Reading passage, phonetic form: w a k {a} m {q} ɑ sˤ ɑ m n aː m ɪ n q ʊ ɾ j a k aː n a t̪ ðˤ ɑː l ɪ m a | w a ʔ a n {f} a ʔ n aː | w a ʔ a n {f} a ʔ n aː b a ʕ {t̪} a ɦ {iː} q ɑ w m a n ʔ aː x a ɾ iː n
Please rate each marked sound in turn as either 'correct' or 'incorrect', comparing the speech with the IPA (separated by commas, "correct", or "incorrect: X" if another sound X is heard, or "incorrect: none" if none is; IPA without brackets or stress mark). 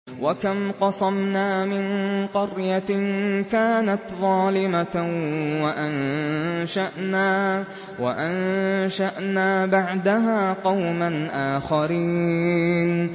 correct, correct, incorrect: ʃ, incorrect: ʃ, incorrect: d̪, incorrect: aː